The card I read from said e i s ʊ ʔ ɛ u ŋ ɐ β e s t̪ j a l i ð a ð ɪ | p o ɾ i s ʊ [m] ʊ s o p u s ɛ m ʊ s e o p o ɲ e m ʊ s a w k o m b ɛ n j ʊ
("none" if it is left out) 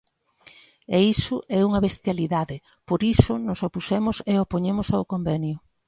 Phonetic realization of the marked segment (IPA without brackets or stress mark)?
n